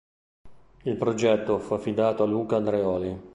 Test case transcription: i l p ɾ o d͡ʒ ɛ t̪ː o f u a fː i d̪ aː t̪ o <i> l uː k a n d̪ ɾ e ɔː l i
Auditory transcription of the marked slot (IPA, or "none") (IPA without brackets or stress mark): a